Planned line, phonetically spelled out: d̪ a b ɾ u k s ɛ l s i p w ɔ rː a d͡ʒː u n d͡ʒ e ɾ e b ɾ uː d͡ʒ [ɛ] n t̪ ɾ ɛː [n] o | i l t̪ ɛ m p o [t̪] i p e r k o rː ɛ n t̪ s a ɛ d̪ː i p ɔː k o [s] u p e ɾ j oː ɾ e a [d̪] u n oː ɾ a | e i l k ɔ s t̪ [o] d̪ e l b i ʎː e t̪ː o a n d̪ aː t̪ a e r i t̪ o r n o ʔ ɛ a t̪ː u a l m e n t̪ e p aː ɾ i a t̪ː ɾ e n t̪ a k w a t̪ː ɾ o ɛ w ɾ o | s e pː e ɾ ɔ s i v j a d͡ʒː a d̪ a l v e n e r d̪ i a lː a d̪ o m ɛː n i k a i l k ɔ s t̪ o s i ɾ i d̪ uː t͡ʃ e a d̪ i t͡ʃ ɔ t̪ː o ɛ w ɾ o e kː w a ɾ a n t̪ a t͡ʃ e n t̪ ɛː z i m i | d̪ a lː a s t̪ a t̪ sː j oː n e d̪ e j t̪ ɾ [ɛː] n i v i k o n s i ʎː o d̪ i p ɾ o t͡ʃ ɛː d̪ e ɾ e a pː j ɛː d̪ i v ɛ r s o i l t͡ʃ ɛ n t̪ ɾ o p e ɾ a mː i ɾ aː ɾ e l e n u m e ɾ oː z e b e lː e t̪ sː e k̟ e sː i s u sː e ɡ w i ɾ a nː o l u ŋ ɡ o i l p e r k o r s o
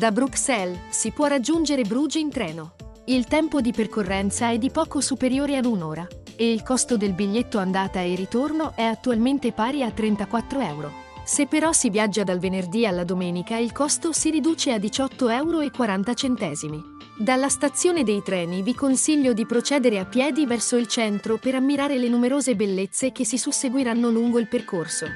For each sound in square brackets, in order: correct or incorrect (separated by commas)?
incorrect, correct, incorrect, correct, correct, correct, correct